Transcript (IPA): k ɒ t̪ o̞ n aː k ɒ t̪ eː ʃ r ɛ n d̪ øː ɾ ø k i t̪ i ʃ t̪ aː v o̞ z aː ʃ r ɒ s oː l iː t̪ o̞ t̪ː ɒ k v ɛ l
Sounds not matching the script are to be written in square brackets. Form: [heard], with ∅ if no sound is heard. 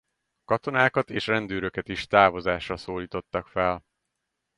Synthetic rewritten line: k ɒ t̪ o̞ n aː k ɒ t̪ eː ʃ r ɛ n d̪ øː ɾ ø k [ɛ] t̪ i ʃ t̪ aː v o̞ z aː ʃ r ɒ s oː l iː t̪ o̞ t̪ː ɒ k [f] ɛ l